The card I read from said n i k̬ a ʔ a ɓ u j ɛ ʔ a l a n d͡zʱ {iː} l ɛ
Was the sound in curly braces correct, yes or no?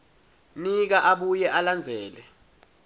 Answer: no